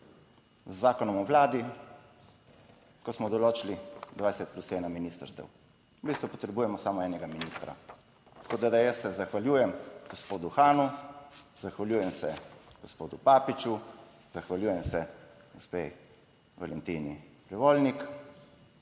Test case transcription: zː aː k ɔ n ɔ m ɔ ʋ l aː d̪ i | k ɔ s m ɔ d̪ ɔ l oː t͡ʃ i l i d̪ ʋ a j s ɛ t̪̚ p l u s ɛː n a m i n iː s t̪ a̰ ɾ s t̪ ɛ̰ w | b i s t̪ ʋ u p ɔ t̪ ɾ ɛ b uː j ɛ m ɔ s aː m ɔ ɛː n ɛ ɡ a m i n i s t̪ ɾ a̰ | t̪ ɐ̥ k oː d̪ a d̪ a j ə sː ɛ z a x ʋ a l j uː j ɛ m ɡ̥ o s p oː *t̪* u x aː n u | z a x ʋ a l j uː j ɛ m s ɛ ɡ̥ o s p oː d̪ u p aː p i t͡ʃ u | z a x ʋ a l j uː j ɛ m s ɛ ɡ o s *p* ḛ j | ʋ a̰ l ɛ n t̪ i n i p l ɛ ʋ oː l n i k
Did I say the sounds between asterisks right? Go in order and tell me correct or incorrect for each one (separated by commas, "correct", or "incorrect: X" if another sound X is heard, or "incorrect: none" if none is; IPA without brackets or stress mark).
incorrect: d̪, correct